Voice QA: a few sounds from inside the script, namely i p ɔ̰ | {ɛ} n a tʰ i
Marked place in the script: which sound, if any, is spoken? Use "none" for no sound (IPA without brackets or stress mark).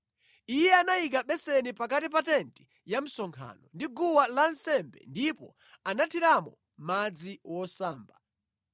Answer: a